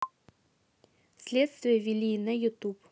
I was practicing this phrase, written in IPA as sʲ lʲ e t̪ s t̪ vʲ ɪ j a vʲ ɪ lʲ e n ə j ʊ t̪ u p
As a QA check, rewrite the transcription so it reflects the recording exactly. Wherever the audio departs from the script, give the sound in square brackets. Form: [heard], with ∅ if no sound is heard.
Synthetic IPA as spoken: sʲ lʲ e t̪ s t̪ vʲ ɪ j [ə] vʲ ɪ lʲ [i] n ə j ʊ t̪ u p